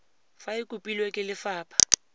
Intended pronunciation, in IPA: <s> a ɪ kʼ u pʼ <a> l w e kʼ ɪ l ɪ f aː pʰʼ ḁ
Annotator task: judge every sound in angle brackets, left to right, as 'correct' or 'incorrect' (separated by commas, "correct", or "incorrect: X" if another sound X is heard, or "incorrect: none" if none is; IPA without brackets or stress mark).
incorrect: f, incorrect: i